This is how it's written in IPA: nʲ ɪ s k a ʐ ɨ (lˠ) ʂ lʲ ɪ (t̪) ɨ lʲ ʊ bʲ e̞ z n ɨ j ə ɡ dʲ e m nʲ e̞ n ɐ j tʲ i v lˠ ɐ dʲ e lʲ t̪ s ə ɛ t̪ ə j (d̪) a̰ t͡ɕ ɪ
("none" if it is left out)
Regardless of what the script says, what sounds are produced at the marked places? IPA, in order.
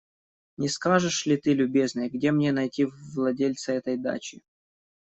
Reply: none, t̪, d̪

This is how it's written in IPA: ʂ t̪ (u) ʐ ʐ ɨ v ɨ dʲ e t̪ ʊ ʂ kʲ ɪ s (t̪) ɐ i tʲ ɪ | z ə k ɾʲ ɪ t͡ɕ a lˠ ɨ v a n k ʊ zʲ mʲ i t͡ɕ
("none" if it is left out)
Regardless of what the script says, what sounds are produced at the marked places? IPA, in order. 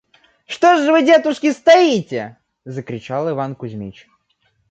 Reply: o, t̪

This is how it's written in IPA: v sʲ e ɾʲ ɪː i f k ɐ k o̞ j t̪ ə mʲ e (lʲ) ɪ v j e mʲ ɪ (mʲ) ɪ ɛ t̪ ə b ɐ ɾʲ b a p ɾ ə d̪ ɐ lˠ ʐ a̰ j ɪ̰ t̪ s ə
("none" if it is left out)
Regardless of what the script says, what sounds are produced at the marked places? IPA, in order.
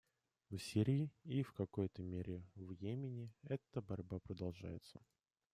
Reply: ɾʲ, nʲ

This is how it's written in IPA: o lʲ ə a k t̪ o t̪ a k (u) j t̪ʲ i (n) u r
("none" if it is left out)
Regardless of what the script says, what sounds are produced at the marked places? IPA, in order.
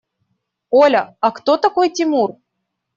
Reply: o, m

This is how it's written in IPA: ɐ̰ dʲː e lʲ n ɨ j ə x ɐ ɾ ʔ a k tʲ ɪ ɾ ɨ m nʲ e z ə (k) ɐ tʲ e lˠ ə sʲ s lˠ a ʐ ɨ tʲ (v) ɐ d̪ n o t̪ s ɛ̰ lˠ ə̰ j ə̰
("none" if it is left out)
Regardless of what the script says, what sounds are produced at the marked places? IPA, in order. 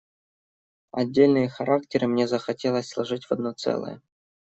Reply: x, v

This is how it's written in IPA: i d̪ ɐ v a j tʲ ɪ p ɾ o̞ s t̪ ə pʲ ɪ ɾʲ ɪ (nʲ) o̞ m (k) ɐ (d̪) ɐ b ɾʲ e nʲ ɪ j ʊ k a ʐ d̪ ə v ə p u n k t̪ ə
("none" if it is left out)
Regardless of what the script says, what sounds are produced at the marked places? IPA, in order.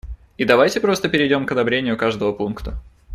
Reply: dʲ, k, d̪

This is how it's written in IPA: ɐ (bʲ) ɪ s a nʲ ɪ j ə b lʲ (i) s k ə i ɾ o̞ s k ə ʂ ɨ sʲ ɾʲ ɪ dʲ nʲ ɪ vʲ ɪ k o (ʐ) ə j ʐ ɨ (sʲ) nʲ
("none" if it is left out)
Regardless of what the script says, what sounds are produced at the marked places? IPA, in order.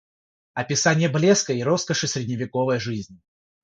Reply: pʲ, e, v, zʲ

